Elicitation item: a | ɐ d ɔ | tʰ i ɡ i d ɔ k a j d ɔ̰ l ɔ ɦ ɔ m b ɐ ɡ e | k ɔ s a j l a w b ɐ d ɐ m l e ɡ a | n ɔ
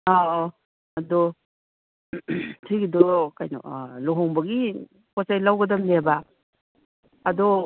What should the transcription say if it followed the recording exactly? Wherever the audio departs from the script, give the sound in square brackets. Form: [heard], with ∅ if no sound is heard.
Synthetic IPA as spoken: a | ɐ d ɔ | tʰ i ɡ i d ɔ k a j [n] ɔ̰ l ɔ ɦ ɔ [ŋ] b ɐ ɡ [i] | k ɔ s a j l a w [ɡ] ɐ d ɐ m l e [b] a | [d] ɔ